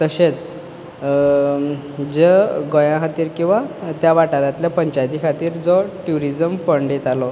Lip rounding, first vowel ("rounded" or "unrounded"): unrounded